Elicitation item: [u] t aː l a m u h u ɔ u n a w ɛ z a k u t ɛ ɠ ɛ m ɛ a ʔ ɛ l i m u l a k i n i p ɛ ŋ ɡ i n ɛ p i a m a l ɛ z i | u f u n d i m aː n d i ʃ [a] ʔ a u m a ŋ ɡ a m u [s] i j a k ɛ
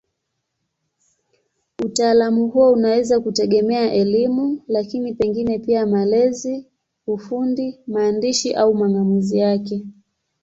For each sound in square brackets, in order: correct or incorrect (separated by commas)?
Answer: correct, incorrect, incorrect